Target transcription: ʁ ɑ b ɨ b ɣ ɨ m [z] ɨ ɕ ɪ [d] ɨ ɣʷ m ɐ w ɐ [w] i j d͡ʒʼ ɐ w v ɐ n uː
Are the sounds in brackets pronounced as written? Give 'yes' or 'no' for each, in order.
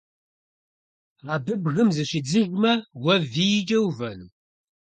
yes, no, no

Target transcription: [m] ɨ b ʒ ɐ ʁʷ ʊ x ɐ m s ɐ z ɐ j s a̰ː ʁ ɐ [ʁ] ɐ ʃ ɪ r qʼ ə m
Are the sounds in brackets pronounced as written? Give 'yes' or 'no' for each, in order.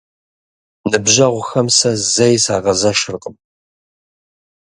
no, no

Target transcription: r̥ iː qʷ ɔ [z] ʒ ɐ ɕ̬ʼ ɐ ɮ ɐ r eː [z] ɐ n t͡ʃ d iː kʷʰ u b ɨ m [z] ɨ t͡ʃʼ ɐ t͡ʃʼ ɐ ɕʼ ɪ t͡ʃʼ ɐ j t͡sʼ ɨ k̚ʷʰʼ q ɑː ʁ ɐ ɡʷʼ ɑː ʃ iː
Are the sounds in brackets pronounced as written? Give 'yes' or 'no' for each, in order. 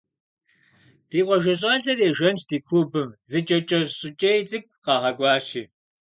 no, no, yes

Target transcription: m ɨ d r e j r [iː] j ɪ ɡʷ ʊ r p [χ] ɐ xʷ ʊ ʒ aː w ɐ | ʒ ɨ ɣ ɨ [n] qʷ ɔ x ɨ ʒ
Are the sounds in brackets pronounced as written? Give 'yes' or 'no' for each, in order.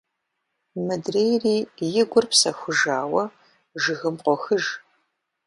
yes, no, no

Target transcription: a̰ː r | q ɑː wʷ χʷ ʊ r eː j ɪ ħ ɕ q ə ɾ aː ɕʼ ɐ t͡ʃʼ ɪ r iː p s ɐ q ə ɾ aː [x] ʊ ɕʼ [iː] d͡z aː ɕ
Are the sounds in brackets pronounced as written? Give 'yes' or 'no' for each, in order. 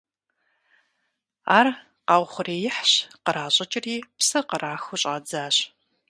yes, no

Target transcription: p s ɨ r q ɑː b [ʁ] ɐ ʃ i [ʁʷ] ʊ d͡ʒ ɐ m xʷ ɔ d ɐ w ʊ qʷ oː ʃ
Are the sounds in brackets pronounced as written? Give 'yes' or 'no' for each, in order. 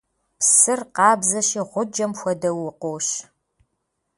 no, yes

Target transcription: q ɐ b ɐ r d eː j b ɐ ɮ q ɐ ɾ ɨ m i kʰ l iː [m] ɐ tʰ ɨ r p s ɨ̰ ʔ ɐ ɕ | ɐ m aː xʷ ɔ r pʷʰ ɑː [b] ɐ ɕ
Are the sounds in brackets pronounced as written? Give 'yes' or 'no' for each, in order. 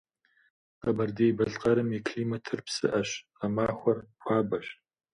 yes, yes

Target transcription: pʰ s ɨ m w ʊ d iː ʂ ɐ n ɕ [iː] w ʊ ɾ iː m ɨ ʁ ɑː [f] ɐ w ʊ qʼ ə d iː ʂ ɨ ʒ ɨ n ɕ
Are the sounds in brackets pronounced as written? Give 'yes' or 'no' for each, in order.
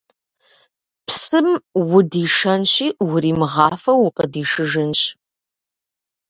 yes, yes

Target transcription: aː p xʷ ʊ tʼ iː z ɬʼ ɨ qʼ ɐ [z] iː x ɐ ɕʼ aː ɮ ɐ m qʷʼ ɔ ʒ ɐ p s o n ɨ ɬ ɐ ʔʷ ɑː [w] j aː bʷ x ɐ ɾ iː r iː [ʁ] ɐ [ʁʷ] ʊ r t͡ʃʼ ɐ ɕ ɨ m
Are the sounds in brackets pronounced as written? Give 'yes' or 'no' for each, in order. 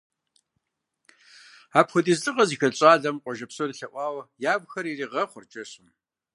yes, yes, yes, no

